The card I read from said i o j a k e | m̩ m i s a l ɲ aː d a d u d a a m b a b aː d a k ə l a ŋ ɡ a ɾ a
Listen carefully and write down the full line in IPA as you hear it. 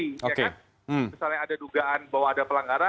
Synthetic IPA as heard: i o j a k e | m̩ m i s a l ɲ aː d a d u ɡ a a n b a w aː d a p ə l a ŋ ɡ a ɾ a